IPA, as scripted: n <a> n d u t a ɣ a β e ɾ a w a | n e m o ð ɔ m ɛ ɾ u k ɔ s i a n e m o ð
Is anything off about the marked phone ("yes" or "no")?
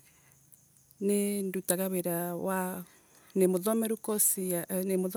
yes